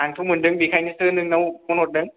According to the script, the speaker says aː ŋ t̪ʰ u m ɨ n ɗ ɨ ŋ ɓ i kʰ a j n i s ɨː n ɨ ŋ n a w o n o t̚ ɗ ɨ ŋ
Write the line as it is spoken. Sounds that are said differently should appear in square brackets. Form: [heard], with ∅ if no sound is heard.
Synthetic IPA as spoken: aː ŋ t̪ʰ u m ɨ n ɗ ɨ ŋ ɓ i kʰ a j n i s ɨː n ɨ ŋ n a w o n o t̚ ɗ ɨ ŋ